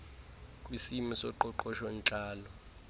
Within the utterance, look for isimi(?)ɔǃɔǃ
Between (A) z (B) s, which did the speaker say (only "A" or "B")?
B